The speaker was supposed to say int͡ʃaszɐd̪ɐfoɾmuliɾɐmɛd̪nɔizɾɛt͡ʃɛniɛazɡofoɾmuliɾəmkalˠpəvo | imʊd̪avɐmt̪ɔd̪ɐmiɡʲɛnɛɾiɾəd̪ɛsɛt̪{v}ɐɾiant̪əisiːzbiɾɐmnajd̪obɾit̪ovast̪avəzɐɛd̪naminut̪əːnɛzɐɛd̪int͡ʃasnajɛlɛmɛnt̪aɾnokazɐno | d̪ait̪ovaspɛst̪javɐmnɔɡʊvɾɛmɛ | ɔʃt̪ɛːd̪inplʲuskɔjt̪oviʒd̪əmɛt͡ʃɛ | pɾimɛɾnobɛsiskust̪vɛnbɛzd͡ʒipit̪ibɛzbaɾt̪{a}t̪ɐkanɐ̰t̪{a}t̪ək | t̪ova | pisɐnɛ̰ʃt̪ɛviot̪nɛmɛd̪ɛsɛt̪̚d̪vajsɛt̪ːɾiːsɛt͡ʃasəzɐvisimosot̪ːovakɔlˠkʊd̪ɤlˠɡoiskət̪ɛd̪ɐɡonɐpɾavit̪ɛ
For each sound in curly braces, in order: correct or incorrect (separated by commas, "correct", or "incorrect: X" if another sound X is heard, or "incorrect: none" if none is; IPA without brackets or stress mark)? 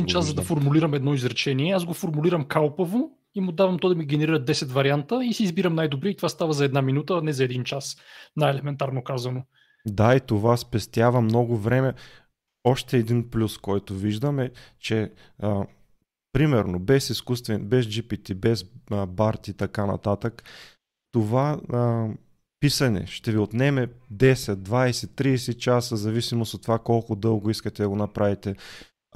correct, incorrect: i, correct